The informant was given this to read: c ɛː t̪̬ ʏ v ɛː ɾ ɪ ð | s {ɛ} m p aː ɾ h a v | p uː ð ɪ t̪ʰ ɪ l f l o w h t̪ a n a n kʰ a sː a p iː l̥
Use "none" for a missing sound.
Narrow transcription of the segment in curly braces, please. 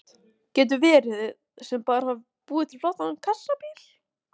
ɛ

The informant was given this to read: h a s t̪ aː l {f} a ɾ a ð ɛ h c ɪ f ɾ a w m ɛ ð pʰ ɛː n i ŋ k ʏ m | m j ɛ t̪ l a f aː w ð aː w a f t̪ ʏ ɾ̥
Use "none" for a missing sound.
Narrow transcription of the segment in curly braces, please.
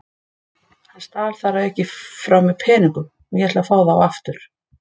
θ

